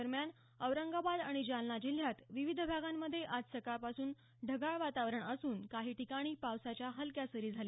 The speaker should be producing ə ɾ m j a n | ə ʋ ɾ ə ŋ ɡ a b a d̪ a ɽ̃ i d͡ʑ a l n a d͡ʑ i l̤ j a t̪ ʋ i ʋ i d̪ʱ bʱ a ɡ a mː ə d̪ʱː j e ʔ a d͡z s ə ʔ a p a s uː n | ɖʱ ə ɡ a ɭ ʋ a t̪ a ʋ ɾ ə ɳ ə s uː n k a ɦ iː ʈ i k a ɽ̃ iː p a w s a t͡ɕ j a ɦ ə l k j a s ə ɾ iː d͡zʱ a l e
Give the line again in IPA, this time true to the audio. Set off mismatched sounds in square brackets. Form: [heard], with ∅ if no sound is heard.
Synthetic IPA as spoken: ə ɾ m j a n | ə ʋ ɾ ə ŋ ɡ a b a d̪ a ɽ̃ i d͡ʑ a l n a d͡ʑ i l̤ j a t̪ ʋ i ʋ i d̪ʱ bʱ a ɡ a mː ə d̪ʱː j e ʔ a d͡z s ə [k] a p a s uː n | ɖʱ ə ɡ a ɭ ʋ a t̪ a ʋ ɾ ə ɳ ə s uː n k a ɦ iː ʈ i k a ɽ̃ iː p a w s a t͡ɕ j a ɦ ə l k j a s ə ɾ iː d͡zʱ a l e

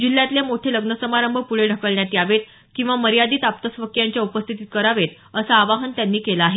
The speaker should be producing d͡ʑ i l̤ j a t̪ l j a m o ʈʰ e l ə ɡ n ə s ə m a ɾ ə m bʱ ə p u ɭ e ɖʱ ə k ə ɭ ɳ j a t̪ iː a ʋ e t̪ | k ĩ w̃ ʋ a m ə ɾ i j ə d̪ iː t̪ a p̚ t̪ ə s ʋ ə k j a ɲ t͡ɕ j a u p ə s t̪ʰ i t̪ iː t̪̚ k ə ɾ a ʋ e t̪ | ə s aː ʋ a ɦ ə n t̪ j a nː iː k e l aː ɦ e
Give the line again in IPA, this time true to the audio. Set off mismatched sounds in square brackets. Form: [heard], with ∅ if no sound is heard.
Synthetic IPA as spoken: d͡ʑ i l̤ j a t̪ l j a m o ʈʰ e l ə ɡ n ə s ə m a ɾ ə m bʱ ə p u ɭ e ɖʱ ə k ə ɭ ɳ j a t̪ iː a ʋ e t̪ | k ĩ w̃ ʋ a m ə ɾ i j [a] d̪ iː t̪ a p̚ t̪ ə s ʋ ə k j a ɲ t͡ɕ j a u p ə s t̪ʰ i t̪ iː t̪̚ k ə ɾ a ʋ e t̪ | ə s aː ʋ a ɦ ə n t̪ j a nː iː k e l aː ɦ e

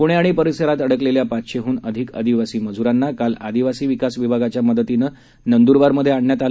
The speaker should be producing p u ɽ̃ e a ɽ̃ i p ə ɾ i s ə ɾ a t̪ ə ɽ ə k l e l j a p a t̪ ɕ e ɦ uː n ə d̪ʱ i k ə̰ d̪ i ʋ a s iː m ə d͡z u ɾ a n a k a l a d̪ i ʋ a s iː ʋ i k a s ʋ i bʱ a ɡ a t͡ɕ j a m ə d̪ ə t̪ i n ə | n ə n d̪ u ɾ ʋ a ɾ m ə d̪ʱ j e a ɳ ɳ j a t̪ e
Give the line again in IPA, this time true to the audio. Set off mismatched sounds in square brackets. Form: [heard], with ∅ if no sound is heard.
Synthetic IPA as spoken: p u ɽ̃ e a ɽ̃ i p ə ɾ i s ə ɾ a t̪ ə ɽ ə k l e l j a p a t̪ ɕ e ɦ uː n ə d̪ʱ i k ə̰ d̪ i ʋ a s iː m ə d͡z u ɾ a [nː] a k a l a d̪ i ʋ a s iː ʋ i k a s ʋ i bʱ a ɡ a t͡ɕ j a m ə d̪ ə t̪ i n ə | n ə n d̪ u ɾ ʋ a ɾ m ə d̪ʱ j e a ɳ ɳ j a t̪ [a]

